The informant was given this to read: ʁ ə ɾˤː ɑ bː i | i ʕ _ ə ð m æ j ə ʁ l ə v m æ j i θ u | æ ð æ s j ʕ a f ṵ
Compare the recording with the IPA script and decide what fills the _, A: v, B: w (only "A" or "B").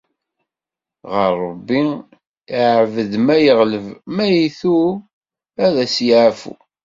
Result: A